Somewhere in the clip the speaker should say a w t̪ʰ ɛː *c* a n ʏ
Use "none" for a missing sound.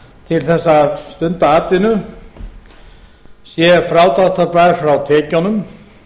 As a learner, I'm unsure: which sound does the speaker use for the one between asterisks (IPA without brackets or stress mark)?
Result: c